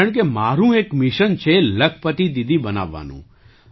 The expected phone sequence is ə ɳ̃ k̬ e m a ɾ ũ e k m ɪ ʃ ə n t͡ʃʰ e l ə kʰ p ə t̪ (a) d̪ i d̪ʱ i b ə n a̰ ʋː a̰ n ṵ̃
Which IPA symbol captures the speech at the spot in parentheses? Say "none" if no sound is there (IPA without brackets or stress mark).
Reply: i